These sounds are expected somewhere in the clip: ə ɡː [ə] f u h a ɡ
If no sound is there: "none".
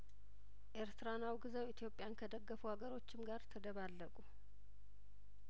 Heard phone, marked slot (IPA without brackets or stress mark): ə